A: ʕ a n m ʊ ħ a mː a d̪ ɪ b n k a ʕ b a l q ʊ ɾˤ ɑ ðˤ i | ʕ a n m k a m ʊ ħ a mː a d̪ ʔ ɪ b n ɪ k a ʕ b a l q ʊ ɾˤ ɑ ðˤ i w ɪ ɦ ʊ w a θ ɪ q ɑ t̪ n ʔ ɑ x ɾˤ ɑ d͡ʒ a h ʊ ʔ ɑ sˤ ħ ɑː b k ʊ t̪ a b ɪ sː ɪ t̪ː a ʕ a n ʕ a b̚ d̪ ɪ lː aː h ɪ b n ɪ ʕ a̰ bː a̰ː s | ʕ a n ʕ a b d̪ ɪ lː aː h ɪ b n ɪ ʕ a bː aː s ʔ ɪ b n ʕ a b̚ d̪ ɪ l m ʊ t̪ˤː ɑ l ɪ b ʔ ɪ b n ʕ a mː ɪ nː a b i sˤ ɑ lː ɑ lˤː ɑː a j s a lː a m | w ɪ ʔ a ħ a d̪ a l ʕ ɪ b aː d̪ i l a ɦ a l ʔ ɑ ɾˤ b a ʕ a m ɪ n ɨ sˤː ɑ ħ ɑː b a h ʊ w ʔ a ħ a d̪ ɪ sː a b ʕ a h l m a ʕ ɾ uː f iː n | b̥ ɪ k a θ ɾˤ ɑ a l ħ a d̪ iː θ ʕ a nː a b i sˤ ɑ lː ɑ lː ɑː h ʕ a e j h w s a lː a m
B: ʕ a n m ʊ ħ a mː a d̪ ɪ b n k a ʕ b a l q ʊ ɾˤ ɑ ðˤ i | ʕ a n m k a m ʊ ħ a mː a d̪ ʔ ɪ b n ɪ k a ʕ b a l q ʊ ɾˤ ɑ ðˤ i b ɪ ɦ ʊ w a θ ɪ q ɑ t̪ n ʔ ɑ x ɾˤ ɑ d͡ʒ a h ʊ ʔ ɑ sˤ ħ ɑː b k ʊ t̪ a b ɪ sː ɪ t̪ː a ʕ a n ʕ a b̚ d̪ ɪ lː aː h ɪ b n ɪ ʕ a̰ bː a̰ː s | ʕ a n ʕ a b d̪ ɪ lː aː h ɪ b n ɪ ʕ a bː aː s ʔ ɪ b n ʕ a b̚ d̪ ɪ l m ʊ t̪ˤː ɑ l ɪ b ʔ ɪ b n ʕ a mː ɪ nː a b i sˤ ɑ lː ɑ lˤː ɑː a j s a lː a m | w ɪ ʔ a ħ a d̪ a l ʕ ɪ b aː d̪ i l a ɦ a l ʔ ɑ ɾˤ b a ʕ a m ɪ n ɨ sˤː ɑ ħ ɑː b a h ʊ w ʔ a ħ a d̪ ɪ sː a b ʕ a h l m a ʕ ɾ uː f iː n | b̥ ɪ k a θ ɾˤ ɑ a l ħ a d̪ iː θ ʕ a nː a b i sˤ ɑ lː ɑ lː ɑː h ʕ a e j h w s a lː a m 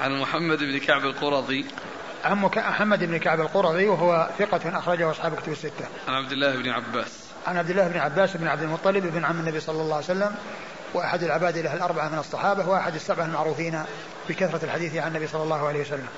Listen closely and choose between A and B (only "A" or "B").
A